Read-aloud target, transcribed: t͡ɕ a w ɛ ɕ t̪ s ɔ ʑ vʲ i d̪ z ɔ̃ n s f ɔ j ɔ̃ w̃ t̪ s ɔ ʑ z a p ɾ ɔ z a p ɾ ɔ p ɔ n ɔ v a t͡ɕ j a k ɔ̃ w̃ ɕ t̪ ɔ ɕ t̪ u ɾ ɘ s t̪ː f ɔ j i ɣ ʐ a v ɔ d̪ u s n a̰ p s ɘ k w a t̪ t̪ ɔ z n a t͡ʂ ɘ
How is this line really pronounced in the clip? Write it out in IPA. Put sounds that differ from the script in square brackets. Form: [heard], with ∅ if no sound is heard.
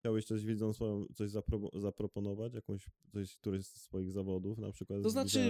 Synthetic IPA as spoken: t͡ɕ a w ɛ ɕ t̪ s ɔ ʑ vʲ i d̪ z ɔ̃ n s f ɔ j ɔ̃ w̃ t̪ s ɔ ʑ z a p ɾ ɔ z a p ɾ ɔ p ɔ n ɔ v a t͡ɕ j a k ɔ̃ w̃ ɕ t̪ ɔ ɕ t̪ u ɾ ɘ s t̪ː f ɔ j i ɣ [z] a v ɔ d̪ u [f] n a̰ p [ʂ] ɘ k w a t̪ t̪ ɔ z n a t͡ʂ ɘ